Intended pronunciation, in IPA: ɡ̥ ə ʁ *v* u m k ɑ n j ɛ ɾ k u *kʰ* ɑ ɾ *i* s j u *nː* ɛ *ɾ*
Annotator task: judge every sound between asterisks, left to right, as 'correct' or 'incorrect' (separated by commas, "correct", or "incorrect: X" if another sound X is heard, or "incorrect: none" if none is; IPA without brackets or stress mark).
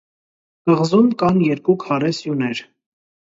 incorrect: z, correct, incorrect: ɛ, incorrect: n, correct